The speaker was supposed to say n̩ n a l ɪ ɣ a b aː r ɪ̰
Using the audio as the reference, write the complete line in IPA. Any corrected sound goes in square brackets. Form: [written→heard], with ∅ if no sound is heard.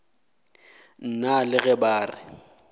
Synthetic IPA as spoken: n̩ n a l ɪ ɣ [a→ɛ] b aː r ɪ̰